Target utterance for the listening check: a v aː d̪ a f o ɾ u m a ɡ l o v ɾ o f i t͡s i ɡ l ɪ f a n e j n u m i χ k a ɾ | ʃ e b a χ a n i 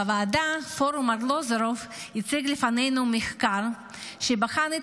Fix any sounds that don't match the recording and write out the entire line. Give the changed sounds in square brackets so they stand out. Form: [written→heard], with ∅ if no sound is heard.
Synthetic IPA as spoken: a v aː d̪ a f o ɾ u m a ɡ l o [v→z] ɾ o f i t͡s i ɡ l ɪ f a n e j n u m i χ k a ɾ | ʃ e b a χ a n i